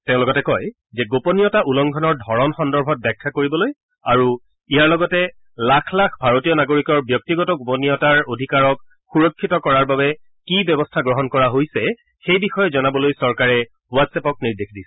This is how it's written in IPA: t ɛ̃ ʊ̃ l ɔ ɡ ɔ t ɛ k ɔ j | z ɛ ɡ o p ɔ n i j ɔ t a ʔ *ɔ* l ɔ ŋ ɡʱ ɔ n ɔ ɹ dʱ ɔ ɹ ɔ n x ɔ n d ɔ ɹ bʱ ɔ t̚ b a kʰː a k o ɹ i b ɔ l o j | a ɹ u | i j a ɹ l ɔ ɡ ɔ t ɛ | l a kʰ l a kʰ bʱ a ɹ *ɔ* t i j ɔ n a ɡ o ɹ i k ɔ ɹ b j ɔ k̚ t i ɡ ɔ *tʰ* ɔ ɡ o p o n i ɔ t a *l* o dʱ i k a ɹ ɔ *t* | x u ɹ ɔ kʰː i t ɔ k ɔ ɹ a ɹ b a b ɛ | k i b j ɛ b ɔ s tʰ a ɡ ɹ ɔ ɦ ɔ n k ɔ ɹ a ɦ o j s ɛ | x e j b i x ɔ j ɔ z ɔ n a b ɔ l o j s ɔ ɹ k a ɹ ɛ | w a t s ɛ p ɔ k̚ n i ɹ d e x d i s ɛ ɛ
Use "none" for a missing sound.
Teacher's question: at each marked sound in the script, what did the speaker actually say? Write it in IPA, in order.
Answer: u, o, t, ɹ, k

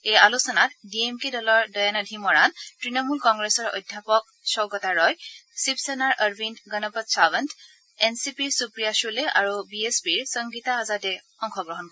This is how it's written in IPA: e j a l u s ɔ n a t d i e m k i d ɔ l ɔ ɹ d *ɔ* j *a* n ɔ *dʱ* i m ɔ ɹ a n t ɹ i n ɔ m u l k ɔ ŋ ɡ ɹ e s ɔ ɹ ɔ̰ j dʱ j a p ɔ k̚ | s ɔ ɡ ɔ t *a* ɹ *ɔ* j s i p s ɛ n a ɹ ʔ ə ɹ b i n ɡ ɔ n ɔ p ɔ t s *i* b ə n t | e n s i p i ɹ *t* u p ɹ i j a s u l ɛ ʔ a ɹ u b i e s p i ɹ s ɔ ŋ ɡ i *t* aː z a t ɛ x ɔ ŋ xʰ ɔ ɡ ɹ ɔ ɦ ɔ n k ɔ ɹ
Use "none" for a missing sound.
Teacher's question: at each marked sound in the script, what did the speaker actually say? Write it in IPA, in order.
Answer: ɔ, a, dʱ, a, ɔ, a, s, t

